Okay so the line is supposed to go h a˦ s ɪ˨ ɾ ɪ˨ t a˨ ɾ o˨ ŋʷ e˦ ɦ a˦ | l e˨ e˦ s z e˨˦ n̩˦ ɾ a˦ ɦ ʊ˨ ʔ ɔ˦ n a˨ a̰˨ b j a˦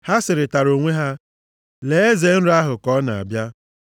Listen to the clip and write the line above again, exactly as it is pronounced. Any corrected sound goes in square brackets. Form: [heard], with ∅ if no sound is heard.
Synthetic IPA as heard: h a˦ s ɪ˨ ɾ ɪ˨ t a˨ ɾ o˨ ŋʷ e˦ ɦ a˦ | l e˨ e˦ [∅] z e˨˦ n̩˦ ɾ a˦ ɦ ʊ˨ [k] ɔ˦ n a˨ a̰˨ b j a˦